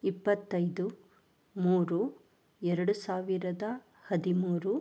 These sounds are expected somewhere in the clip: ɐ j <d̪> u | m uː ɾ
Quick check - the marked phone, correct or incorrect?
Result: correct